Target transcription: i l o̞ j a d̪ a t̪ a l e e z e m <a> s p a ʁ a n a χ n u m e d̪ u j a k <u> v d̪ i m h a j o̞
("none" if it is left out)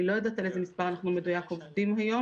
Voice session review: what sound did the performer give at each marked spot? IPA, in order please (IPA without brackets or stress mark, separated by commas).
i, o